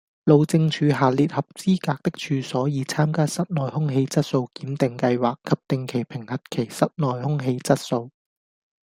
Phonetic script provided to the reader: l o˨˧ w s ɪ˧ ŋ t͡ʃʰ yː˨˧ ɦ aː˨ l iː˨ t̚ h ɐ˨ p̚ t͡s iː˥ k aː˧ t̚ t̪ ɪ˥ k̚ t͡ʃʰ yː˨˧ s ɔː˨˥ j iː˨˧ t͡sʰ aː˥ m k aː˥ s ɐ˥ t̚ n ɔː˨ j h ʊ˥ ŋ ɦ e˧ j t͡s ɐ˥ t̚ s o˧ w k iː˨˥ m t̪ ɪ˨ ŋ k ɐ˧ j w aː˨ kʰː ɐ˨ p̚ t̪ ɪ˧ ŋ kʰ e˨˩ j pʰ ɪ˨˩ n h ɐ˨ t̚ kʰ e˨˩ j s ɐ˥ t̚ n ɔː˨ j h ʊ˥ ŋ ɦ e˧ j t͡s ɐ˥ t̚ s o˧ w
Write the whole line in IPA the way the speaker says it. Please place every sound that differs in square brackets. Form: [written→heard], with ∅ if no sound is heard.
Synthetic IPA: l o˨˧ w [s→t͡s] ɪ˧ ŋ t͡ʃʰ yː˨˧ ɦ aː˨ l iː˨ t̚ h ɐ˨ p̚ t͡s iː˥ k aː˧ [t̚→k̚] t̪ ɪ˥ k̚ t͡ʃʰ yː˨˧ s ɔː˨˥ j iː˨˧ t͡sʰ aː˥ m k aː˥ s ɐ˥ t̚ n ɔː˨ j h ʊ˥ ŋ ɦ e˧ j t͡s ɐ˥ t̚ s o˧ w k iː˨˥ m t̪ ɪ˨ ŋ k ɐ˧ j w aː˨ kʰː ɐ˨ p̚ t̪ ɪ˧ ŋ kʰ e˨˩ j pʰ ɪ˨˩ [n→ŋ] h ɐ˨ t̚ kʰ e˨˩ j s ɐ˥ t̚ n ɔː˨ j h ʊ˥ ŋ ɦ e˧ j t͡s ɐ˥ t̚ s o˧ w

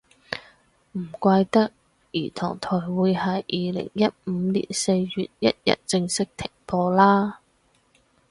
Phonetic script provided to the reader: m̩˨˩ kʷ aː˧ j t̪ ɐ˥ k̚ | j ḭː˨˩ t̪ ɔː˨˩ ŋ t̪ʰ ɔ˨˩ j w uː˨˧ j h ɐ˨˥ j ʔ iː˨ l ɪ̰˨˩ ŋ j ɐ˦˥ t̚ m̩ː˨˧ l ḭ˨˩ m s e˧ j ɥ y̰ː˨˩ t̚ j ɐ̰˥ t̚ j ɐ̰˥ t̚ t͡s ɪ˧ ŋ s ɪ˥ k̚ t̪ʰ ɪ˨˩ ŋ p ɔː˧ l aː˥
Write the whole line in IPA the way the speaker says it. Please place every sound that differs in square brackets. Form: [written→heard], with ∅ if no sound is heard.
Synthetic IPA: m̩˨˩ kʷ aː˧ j t̪ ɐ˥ k̚ | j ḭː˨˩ [t̪→t̪ʰ] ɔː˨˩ ŋ t̪ʰ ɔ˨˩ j w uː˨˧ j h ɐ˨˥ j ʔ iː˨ l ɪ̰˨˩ ŋ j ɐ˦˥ t̚ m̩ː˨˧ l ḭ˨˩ [m→n] s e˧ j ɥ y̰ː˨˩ t̚ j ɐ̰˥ t̚ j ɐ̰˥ t̚ t͡s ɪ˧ ŋ s ɪ˥ k̚ t̪ʰ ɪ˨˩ ŋ p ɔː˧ l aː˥

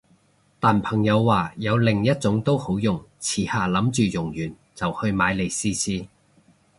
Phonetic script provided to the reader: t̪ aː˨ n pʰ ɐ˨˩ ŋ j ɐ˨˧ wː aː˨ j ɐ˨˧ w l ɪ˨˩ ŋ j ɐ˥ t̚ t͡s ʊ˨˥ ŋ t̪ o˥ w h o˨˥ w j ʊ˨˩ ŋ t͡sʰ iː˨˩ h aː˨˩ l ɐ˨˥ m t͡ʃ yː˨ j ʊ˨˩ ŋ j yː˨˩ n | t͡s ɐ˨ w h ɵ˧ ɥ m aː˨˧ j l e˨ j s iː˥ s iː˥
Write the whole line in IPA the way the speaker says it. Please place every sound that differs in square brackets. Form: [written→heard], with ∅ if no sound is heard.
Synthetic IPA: t̪ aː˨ n pʰ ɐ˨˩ ŋ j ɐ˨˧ wː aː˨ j ɐ˨˧ w l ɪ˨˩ ŋ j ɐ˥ t̚ t͡s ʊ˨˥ ŋ t̪ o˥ w h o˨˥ w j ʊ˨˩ ŋ t͡sʰ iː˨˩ h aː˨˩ l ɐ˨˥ m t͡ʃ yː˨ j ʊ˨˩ ŋ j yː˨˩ n | t͡s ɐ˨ w h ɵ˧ ɥ m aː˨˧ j l e˨ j s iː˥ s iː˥

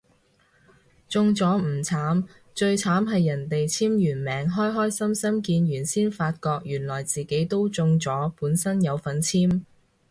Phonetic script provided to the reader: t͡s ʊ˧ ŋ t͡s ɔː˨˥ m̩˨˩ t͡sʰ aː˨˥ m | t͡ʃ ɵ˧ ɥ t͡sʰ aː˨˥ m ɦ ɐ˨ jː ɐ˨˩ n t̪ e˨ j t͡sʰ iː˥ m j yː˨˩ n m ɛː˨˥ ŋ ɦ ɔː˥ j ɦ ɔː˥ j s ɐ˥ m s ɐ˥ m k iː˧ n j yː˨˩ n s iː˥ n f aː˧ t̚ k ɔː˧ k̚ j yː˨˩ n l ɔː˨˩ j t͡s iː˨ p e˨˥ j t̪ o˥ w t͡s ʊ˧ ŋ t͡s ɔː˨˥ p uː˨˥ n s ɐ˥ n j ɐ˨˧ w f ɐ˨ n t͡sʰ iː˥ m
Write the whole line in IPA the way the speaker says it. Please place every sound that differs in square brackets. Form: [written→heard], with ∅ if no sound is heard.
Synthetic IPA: t͡s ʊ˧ ŋ t͡s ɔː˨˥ m̩˨˩ t͡sʰ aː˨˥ m | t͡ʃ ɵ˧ ɥ t͡sʰ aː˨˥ m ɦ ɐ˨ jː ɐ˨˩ n t̪ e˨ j t͡sʰ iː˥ m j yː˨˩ n m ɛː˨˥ ŋ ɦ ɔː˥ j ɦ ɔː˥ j s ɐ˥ m s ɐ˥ m k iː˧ n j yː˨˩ n s iː˥ n f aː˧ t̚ k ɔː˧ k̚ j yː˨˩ n l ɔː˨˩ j t͡s iː˨ [p→k] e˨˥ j t̪ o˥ w t͡s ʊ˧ ŋ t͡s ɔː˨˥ p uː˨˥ n s ɐ˥ n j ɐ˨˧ w f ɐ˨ n t͡sʰ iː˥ m

